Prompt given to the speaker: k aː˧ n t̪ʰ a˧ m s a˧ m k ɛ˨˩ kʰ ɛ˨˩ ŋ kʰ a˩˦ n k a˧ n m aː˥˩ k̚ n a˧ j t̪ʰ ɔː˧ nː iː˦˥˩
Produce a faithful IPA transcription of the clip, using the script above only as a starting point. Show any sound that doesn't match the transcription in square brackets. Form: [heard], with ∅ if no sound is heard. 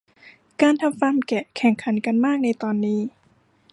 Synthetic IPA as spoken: k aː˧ n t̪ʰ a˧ m [f] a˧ m k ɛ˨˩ kʰ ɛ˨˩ ŋ kʰ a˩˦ n k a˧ n m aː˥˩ k̚ n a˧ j [t̪] ɔː˧ nː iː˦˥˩